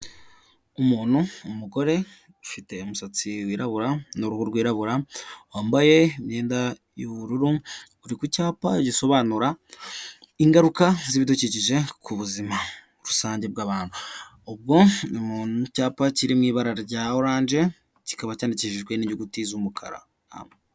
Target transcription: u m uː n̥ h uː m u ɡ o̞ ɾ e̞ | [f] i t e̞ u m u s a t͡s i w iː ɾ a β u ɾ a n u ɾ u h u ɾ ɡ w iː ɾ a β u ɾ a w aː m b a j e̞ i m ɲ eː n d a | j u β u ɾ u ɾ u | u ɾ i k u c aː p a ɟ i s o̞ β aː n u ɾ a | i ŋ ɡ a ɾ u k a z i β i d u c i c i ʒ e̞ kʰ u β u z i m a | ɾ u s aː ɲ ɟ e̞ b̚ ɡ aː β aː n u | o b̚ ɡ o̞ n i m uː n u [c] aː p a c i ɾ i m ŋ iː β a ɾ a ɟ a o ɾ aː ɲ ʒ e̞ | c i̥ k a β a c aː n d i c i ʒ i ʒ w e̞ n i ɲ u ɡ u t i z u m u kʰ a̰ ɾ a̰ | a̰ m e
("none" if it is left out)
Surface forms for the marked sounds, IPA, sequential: f, c

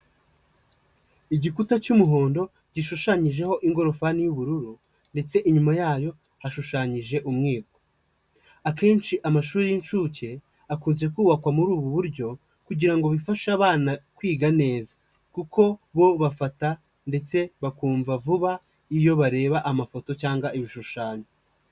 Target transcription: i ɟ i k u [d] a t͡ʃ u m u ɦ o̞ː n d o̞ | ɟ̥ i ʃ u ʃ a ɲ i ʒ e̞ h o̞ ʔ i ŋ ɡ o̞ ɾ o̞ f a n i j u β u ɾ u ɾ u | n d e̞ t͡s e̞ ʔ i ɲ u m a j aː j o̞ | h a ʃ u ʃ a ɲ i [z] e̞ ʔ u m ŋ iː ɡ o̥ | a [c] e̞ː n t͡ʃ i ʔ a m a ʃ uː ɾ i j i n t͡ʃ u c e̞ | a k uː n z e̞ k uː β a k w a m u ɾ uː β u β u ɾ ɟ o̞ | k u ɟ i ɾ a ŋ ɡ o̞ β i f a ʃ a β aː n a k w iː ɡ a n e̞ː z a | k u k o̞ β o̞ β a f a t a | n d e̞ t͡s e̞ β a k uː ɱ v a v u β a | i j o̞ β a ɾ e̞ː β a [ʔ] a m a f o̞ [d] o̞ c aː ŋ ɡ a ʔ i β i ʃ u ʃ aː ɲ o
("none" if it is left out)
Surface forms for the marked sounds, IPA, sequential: t, ʒ, k, ʔ, t

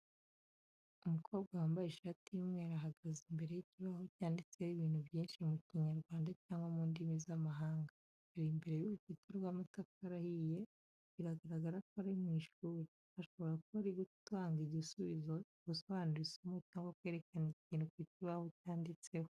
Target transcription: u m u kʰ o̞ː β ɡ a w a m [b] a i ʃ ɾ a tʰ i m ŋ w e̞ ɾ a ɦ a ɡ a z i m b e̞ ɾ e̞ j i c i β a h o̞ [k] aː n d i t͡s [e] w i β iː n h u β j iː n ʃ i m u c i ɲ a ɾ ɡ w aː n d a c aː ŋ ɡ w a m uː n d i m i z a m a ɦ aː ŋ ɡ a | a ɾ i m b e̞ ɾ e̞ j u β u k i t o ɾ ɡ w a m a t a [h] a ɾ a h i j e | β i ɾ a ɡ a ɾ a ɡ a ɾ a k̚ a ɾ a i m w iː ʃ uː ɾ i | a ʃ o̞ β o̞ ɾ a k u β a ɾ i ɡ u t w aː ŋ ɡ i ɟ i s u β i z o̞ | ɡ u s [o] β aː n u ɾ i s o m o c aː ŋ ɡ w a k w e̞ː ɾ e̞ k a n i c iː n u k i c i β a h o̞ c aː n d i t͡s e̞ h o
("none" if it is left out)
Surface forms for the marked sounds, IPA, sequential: b, c, e, f, o

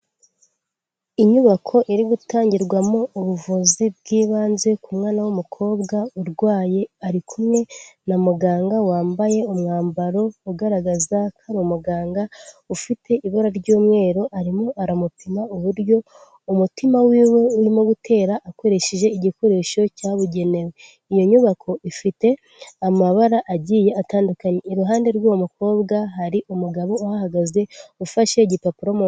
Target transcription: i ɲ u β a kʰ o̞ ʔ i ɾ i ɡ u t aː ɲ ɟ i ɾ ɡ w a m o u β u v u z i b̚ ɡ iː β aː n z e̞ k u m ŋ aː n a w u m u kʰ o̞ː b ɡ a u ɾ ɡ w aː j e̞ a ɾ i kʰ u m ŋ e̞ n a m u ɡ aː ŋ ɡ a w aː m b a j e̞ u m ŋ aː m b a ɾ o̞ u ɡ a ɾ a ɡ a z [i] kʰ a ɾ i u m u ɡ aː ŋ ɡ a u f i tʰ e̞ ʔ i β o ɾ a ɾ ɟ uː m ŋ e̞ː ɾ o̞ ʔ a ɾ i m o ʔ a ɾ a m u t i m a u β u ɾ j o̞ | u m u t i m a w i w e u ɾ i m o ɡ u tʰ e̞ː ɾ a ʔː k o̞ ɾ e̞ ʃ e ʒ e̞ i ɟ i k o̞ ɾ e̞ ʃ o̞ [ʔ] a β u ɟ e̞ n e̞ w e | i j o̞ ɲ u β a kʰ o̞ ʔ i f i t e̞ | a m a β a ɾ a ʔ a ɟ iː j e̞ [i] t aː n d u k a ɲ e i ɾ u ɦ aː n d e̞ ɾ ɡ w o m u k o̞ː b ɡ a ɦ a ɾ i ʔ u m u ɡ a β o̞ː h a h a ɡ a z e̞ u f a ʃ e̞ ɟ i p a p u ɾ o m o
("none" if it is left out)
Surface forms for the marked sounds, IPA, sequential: a, c, a

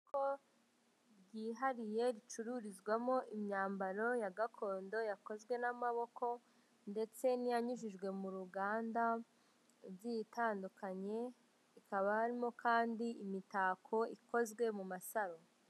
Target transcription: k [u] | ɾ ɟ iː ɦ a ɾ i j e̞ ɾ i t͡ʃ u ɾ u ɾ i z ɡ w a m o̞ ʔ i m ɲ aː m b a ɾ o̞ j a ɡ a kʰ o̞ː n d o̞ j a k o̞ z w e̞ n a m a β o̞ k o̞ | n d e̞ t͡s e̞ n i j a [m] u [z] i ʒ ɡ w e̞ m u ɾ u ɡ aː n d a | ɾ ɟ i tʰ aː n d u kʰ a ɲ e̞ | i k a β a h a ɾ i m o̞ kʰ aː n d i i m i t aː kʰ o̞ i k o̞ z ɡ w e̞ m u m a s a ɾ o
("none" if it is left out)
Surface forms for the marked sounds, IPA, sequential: o, ɲ, ʒ

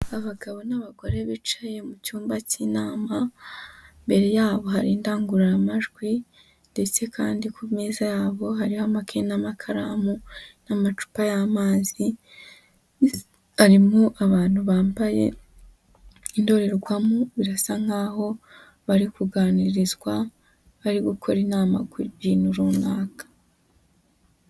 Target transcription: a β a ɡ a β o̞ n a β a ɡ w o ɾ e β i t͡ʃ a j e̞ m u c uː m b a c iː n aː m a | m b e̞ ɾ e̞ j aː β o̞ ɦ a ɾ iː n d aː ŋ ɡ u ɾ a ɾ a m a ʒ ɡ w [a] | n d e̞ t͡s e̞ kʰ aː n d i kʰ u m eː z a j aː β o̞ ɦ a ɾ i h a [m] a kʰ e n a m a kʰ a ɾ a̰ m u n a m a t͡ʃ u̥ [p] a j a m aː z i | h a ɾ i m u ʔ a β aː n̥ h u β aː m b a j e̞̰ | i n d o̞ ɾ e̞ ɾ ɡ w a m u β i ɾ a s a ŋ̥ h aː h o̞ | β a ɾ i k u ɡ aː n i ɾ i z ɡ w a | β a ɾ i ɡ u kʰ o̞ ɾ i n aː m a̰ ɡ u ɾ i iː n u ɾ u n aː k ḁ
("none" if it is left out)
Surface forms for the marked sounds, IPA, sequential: i, m, p

